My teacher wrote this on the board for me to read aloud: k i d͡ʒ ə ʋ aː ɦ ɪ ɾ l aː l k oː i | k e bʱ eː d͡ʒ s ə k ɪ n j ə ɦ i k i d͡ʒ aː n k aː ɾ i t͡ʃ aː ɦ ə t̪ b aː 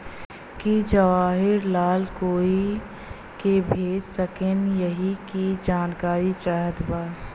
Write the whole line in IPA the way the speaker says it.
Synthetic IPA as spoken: k i d͡ʒ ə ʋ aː ɦ ɪ ɾ l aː l k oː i | k e bʱ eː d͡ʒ s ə k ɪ n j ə ɦ i k i d͡ʒ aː n k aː ɾ i t͡ʃ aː ɦ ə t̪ b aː